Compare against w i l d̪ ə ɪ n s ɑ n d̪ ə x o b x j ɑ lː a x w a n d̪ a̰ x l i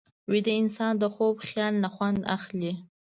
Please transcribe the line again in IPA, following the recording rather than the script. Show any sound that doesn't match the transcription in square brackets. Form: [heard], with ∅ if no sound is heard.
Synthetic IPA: w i [∅] d̪ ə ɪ n s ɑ n d̪ ə x o b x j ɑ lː a x w a n d̪ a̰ x l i